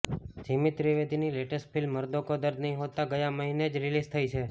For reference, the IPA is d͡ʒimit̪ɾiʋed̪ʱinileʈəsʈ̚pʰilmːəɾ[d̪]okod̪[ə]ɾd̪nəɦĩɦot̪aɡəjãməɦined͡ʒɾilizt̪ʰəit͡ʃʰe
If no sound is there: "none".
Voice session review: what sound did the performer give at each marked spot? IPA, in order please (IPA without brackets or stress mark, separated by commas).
d̪, ə